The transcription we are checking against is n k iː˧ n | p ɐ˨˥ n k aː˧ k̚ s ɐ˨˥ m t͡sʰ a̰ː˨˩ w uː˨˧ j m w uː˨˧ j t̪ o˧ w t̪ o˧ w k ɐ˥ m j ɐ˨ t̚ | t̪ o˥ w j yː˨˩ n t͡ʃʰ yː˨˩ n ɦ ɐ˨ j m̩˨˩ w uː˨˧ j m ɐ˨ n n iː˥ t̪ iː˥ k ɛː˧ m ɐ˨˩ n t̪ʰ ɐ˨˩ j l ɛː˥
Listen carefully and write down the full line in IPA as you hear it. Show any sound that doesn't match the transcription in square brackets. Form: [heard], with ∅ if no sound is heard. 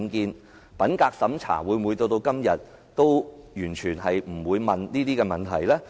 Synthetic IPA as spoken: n k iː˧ n | p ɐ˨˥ n k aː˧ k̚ s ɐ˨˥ m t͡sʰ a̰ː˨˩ w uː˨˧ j m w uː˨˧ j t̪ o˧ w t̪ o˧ w k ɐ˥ m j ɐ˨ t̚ | t̪ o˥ w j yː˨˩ n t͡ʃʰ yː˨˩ n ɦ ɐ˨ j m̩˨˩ w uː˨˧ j m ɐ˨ n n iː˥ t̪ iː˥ k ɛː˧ m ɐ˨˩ n t̪ʰ ɐ˨˩ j l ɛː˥